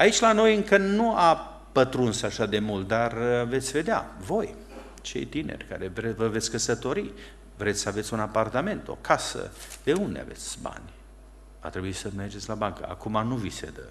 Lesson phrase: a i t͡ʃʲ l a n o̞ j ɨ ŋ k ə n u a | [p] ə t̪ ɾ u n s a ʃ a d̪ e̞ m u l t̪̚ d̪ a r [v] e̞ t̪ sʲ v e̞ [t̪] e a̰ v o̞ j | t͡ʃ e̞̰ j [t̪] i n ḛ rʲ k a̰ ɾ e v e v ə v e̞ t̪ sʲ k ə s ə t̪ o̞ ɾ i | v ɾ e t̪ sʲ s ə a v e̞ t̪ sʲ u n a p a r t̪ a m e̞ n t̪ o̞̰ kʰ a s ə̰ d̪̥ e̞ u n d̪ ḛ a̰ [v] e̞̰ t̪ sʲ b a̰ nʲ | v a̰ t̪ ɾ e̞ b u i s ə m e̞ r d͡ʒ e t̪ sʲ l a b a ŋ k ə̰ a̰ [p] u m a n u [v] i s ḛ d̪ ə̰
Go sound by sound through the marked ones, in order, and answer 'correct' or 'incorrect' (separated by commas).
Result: correct, correct, incorrect, correct, correct, incorrect, correct